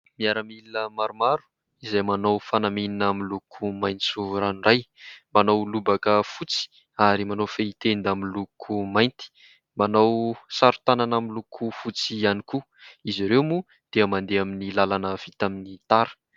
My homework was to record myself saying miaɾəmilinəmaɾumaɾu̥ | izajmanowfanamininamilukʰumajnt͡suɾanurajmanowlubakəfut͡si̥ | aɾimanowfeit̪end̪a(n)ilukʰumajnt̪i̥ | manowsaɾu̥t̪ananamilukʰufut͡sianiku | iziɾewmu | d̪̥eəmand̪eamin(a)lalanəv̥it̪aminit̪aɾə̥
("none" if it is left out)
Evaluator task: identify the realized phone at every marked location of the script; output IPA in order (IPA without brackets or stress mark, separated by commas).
m, i